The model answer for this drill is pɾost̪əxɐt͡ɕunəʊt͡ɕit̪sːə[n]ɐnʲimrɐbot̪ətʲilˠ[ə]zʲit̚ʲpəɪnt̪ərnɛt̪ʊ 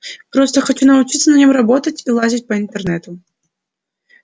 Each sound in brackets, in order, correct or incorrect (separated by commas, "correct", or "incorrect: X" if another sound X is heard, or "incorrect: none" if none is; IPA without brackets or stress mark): correct, incorrect: a